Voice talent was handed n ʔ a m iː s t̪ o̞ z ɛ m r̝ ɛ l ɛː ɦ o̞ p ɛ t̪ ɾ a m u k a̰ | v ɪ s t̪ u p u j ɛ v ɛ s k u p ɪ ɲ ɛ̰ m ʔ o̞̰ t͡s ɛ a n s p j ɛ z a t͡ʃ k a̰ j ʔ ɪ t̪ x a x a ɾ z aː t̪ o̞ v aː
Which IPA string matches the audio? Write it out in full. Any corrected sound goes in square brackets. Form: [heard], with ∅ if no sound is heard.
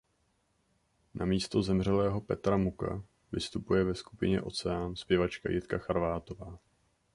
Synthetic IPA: n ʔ a m iː s t̪ o̞ z ɛ m r̝ ɛ l ɛː ɦ o̞ p ɛ t̪ ɾ a m u k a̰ | v ɪ s t̪ u p u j ɛ v ɛ s k u p ɪ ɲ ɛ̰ [∅] ʔ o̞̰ t͡s ɛ a n s p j ɛ [v] a t͡ʃ k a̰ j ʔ ɪ t̪ [k] a x a ɾ [v] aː t̪ o̞ v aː